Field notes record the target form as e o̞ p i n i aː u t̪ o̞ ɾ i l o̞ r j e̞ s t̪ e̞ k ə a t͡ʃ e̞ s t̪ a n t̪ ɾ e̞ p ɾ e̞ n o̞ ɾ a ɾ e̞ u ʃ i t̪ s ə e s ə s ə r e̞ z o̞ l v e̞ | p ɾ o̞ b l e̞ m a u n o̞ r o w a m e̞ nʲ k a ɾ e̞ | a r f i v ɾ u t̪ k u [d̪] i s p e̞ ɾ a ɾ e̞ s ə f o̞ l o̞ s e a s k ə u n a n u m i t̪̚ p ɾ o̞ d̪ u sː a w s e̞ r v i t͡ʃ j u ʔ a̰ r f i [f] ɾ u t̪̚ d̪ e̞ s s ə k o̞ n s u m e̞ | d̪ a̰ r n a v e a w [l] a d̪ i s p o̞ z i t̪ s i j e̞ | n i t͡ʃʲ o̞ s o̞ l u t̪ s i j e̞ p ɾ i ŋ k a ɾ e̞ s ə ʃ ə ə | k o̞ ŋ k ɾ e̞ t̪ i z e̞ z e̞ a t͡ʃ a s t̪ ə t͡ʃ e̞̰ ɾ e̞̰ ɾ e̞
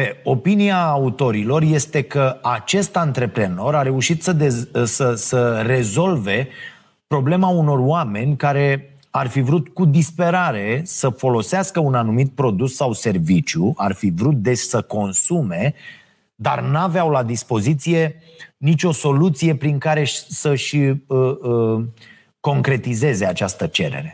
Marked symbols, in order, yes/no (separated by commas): yes, no, yes